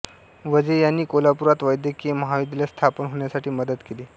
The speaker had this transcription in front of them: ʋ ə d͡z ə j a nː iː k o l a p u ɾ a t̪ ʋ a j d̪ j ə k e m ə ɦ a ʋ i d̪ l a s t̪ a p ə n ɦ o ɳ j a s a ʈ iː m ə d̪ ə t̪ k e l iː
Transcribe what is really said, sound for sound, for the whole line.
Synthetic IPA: ʋ ə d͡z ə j a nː iː k o l a p u ɾ a t̪ ʋ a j d̪ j ə k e m ə ɦ a ʋ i d̪ l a s t̪ʰ a p ə n ɦ o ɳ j a s a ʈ iː m ə d̪ ə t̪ k e l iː